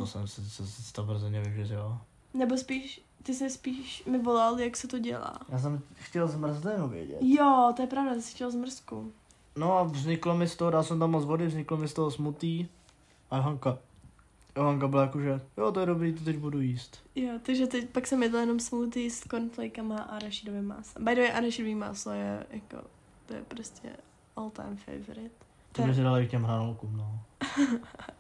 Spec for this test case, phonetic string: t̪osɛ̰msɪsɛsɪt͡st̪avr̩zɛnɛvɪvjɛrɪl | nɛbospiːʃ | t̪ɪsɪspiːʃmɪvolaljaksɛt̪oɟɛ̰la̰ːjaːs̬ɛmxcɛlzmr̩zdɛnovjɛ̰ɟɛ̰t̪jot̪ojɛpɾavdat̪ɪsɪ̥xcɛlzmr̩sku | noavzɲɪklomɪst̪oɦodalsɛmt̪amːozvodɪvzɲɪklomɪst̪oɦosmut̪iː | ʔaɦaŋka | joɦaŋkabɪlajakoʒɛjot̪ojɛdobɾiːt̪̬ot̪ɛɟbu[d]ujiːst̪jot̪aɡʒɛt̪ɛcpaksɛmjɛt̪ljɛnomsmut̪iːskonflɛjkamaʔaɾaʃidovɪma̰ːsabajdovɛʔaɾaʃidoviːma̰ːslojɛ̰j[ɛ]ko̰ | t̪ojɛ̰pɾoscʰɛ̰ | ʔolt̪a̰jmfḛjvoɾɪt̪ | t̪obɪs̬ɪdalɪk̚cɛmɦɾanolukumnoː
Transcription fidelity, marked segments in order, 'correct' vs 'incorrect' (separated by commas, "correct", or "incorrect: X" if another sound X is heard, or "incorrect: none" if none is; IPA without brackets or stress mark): correct, incorrect: a